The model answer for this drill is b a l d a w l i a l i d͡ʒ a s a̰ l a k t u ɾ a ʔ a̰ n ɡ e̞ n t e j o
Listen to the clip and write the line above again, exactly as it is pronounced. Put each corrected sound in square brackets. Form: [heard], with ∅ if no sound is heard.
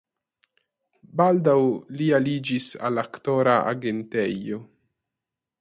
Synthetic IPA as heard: b a l d a w l i a l i d͡ʒ [i] s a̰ l a k t [o] ɾ a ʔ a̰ [∅] ɡ e̞ n t e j o